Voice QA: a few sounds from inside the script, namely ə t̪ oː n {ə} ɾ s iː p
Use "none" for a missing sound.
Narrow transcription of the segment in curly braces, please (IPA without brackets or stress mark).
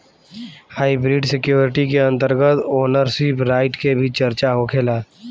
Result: ə